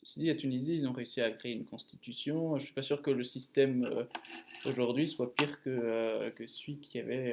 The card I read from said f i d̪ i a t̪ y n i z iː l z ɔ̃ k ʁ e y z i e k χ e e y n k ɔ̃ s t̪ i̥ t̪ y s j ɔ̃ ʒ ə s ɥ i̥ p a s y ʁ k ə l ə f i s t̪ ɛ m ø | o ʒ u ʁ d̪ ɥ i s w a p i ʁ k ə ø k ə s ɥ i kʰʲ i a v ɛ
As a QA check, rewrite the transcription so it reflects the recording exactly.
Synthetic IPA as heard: s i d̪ i a t̪ y n i z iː l z ɔ̃ ʁ e y s i a k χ e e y n k ɔ̃ s t̪ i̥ t̪ y s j ɔ̃ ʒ ə s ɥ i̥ p a s y ʁ k ə l ə s i s t̪ ɛ m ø | o ʒ u ʁ d̪ ɥ i s w a p i ʁ k ə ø k ə s ɥ i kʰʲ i a v ɛ